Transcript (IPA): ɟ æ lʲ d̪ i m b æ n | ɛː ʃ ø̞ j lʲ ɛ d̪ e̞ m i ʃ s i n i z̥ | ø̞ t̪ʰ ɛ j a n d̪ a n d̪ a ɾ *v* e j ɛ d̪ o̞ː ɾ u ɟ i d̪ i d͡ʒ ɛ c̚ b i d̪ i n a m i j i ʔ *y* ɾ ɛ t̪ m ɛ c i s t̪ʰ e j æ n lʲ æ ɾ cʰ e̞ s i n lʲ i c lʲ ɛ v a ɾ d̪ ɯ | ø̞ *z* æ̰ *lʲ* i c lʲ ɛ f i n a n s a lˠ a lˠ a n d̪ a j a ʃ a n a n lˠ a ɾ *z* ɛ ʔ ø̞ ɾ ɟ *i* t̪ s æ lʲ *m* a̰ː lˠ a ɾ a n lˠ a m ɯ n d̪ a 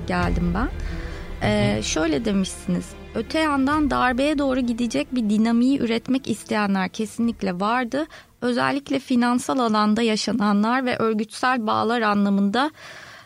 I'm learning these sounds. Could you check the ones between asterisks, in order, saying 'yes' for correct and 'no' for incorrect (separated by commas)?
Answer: no, yes, yes, no, no, no, no